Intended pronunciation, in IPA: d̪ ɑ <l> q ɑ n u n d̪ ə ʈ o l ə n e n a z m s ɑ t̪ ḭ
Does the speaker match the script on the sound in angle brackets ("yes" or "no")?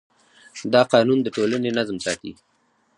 no